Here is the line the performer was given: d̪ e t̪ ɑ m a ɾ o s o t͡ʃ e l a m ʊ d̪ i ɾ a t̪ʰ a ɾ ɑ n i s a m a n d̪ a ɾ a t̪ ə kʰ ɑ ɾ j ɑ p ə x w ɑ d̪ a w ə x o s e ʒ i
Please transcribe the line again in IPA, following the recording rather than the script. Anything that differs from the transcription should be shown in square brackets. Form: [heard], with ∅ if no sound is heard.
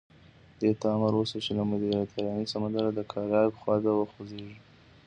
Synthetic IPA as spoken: d̪ e t̪ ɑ m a ɾ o s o t͡ʃ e l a m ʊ d̪ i ɾ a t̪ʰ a ɾ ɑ n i s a m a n d̪ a ɾ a [d̪] ə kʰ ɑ ɾ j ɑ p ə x w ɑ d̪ a w ə x o [z] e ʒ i